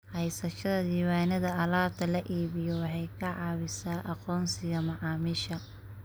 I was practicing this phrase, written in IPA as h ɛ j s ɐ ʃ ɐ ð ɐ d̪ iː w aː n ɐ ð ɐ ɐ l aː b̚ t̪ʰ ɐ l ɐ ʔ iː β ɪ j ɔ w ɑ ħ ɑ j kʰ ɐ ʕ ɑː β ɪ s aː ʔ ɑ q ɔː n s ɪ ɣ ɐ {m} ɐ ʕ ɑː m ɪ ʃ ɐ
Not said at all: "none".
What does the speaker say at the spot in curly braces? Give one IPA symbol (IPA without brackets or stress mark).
m